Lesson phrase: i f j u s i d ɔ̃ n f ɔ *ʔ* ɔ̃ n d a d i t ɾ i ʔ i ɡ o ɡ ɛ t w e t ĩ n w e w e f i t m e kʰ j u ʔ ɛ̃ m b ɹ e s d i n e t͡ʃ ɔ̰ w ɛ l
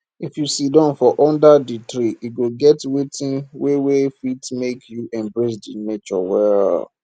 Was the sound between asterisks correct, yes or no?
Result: yes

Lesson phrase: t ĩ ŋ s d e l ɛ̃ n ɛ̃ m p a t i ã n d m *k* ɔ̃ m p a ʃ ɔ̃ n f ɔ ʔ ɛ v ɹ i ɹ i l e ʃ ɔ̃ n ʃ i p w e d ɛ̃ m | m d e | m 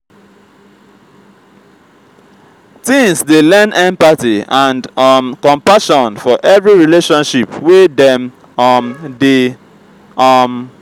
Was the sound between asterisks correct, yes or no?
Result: yes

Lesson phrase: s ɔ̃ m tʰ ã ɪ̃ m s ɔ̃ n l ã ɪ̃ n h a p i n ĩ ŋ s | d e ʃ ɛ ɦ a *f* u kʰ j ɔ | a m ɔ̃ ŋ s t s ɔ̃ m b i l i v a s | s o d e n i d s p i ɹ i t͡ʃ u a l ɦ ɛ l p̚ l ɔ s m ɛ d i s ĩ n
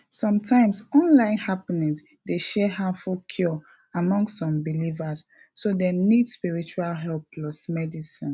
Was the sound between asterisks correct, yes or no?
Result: yes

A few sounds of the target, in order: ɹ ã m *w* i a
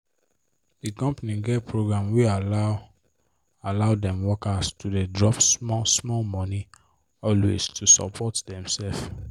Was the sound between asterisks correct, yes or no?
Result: yes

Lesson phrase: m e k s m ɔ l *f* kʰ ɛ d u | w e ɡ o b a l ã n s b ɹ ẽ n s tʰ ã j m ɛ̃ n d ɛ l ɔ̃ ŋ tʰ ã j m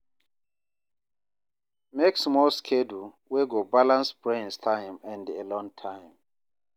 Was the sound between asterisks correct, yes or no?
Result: no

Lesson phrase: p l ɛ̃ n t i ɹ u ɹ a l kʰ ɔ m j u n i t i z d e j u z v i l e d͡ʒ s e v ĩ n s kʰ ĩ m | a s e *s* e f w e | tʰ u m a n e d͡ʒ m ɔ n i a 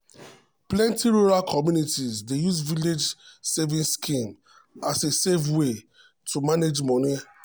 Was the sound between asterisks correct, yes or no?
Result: yes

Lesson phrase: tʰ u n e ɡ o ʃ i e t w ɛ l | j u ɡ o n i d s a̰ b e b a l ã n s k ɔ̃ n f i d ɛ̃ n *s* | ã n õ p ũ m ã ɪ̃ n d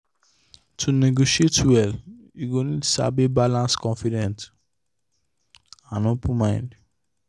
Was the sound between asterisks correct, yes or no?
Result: no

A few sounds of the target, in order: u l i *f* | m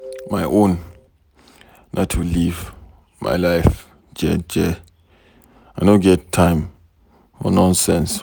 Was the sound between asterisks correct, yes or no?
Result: no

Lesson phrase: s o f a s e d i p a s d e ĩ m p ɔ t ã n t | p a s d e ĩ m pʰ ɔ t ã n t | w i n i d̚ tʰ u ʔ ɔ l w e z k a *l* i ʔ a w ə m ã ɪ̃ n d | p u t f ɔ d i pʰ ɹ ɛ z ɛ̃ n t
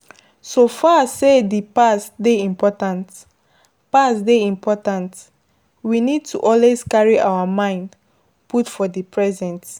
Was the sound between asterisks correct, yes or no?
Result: no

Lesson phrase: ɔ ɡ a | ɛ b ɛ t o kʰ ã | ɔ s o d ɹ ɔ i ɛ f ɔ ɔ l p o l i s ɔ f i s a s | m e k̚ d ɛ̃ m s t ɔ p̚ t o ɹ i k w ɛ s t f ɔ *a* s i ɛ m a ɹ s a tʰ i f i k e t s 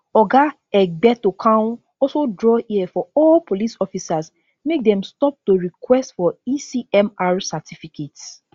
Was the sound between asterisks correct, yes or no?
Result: no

